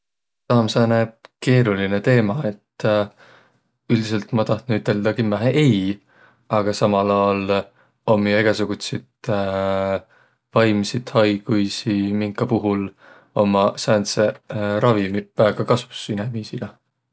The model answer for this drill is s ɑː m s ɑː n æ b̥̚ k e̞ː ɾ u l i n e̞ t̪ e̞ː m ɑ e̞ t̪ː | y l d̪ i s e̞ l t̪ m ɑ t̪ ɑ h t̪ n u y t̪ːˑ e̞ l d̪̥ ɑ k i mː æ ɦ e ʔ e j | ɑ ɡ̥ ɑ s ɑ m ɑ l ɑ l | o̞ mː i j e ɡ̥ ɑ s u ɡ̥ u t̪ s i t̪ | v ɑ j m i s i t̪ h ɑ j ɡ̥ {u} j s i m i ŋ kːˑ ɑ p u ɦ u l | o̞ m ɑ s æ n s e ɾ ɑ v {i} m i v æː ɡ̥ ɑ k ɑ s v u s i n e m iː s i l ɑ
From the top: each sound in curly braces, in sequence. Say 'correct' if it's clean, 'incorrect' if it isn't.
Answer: correct, correct

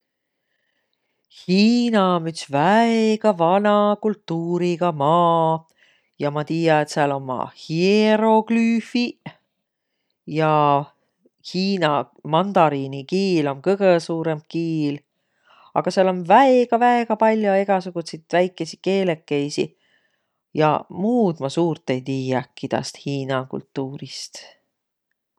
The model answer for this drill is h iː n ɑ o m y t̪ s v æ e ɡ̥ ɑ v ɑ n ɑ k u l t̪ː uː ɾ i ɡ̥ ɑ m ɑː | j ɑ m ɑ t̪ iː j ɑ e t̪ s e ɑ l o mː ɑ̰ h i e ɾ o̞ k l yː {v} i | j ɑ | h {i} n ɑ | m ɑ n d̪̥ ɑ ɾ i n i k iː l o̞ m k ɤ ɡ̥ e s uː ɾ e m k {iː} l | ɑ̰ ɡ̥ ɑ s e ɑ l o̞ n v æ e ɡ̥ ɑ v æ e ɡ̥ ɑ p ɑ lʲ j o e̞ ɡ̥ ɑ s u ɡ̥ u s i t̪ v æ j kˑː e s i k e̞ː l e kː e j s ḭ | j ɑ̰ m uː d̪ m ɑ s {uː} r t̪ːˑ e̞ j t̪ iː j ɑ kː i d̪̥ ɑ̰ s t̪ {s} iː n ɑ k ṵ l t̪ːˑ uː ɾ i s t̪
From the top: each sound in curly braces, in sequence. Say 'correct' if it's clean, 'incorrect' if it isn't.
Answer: incorrect: f, incorrect: iː, correct, correct, incorrect: h

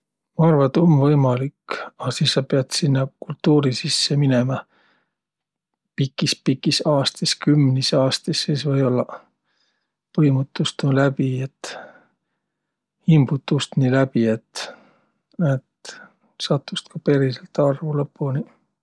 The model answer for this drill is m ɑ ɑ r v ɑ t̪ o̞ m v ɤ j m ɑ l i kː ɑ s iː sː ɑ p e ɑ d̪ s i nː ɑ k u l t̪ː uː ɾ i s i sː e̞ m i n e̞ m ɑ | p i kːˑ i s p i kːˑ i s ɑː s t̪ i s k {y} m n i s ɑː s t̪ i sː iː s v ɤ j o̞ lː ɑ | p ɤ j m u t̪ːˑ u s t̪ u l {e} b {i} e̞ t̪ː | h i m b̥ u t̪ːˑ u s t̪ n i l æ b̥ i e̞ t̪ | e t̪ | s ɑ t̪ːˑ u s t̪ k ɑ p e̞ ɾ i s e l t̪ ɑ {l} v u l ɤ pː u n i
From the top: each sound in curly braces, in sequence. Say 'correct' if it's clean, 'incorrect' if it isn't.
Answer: correct, incorrect: æ, correct, incorrect: r

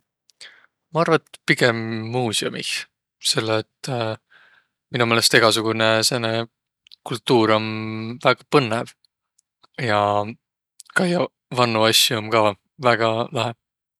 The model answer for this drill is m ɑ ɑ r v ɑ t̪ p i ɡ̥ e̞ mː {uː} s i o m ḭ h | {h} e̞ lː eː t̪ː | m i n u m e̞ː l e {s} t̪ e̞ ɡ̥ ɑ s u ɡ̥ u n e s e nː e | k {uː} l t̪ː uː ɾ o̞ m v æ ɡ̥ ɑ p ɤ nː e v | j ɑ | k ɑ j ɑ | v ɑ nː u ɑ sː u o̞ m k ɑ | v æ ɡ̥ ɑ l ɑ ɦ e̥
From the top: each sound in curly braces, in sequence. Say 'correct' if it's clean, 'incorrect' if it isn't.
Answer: correct, incorrect: s, correct, incorrect: u

